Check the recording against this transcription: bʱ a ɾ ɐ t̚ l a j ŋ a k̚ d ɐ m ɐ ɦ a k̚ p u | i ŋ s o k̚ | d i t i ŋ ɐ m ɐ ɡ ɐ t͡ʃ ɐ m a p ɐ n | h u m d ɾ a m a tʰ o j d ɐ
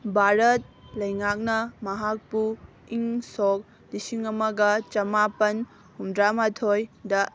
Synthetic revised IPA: bʱ a ɾ ɐ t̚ l ɐ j ŋ a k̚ n ɐ m ɐ ɦ a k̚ p u | i ŋ s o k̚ | d i s i ŋ ɐ m ɐ ɡ ɐ t͡ʃ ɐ m a p ɐ n | h u m d ɾ a m a tʰ o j d ɐ